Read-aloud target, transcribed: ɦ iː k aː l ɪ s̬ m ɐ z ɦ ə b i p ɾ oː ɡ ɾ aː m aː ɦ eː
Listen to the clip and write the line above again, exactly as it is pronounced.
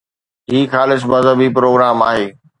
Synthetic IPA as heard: ɦ iː x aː l ɪ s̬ m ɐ z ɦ ə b i p ɾ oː ɡ ɾ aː m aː ɦ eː

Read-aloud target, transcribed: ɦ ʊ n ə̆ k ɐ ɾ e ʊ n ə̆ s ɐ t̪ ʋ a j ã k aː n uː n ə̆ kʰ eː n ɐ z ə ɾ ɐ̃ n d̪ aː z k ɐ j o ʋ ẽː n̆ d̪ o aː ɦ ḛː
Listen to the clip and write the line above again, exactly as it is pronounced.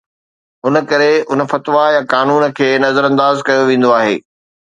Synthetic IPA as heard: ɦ ʊ n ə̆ k ɐ ɾ e ʊ n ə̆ f ɐ t̪ ʋ a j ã k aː n uː n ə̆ kʰ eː n ɐ z ə ɾ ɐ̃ n d̪ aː z k ɐ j o ʋ ẽː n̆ d̪ o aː ɦ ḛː

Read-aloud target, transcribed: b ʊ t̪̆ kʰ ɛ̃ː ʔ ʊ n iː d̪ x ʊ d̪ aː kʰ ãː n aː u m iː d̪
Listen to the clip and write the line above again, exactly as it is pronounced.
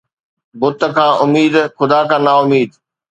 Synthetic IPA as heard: b ʊ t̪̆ kʰ ãː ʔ ʊ m iː d̪ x ʊ d̪ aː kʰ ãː n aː ʊ m iː d̪

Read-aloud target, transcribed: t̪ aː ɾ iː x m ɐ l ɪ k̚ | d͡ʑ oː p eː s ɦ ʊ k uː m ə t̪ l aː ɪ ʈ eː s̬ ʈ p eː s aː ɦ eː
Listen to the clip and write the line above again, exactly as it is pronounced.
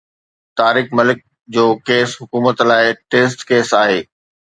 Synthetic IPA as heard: t̪ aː ɾ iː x m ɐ l ɪ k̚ | d͡ʑ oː k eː s ɦ ʊ k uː m ə t̪ l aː ɪ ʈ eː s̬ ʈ k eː s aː ɦ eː

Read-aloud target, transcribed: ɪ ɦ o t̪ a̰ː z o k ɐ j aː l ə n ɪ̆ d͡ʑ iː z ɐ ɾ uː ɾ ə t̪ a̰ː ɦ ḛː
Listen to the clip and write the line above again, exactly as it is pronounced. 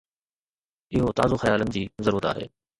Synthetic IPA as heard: ɪ ɦ o t̪ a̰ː z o x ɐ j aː l ə n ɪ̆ d͡ʑ iː z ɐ ɾ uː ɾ ə t̪ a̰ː ɦ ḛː

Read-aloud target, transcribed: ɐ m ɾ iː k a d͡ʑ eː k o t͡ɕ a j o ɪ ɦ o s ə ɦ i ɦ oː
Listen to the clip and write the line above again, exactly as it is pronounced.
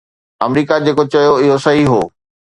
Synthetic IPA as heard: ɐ m ɾ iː k a d͡ʑ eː k o t͡ɕ ɐ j o ɪ ɦ o s ɐ ɦ i ɦ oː

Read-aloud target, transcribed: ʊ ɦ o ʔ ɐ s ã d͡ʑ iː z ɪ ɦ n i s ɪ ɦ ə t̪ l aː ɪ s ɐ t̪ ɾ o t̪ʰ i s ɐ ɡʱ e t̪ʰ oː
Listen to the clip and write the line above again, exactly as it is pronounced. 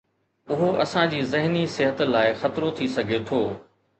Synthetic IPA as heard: ʊ ɦ o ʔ ɐ s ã d͡ʑ iː z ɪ ɦ n i s ɪ ɦ ə t̪ l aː ɪ x ɐ t̪ ɾ o t̪ʰ i s ɐ ɡʱ e t̪ʰ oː

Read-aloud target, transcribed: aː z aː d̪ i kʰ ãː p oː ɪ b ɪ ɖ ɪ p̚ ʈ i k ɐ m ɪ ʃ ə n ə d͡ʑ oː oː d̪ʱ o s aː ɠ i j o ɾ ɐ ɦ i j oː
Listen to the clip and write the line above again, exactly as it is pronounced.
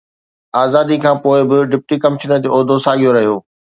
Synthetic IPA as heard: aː z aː d̪ i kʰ ãː p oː ɪ b ɪ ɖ ɪ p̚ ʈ i k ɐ m ɪ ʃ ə n ə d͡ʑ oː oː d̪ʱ o s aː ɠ i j o ɾ ɐ ɦ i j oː

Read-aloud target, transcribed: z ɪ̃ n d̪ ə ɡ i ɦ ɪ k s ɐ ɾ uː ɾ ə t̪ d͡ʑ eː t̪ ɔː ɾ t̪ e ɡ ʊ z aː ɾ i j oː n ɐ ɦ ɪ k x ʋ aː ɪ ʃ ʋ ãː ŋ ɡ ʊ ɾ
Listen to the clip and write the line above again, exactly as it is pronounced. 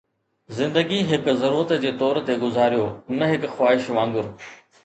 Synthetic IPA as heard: z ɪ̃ n d̪ ə ɡ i ɦ ɪ k z ɐ ɾ uː ɾ ə t̪ d͡ʑ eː t̪ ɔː ɾ t̪ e ɡ ʊ z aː ɾ i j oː n ɐ ɦ ɪ k x w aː ɪ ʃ ʋ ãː ŋ ɡ ʊ ɾ

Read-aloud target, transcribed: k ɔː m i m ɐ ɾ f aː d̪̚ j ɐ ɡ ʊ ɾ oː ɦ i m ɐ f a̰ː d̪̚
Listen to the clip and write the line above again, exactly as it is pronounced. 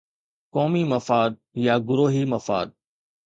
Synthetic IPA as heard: k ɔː m i m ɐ f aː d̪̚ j a ɡ ʊ ɾ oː ɦ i m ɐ f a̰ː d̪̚

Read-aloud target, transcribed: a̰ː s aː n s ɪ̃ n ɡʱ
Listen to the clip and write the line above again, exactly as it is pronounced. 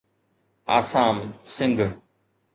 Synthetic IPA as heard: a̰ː s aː m s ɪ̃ ŋ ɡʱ

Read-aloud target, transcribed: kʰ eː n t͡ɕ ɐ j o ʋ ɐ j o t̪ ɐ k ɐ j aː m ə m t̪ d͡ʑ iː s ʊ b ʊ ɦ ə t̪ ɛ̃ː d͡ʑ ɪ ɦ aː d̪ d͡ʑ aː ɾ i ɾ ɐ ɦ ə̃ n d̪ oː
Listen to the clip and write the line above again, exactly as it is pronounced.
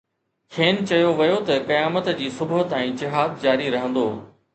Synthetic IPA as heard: kʰ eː n t͡ɕ ɐ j o ʋ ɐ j o t̪ ɐ k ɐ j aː m ə t̪ d͡ʑ iː s ʊ b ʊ ɦ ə t̪ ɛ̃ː d͡ʑ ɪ ɦ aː d̪ d͡ʑ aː ɾ i ɾ ɐ ɦ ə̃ n d̪ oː

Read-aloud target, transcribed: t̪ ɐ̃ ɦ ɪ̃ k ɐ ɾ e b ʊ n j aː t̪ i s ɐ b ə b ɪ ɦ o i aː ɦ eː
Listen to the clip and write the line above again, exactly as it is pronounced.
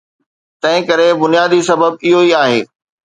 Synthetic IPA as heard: t̪ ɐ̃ ɦ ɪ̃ k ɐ ɾ e b ʊ n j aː d̪ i s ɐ b ə b ɪ ɦ o i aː ɦ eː

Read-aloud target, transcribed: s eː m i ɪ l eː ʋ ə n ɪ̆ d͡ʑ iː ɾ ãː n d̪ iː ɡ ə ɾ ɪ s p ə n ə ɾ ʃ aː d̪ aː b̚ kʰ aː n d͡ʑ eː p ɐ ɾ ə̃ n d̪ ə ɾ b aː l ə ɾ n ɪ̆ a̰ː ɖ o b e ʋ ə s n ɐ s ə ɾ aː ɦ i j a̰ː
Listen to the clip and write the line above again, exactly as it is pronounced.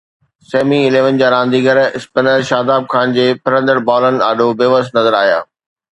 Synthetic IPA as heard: s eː m i ɪ l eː ʋ ə n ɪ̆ d͡ʑ aː ɾ ãː n d̪ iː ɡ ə ɾ ɪ s p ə n ə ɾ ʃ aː d̪ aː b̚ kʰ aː n d͡ʑ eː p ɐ ɾ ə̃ n d̪ ə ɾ b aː l ə n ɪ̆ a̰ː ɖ o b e ʋ ə s n ɐ z ə ɾ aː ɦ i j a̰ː

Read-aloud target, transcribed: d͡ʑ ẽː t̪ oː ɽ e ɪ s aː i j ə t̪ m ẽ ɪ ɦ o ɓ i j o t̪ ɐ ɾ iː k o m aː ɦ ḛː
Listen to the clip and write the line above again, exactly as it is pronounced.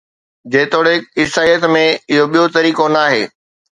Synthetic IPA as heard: d͡ʑ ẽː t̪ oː ɽ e ɪ s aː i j ə t̪ m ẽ ɪ ɦ o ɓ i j o t̪ ɐ ɾ iː k o n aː ɦ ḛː

